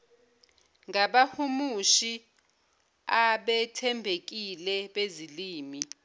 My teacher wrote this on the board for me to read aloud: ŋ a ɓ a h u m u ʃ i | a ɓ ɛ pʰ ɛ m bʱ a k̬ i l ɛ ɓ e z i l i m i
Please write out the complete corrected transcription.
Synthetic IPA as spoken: ŋ a ɓ a h u m u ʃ i | a ɓ ɛ tʰ ɛ m bʱ e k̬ i l ɛ ɓ e z i l iː m i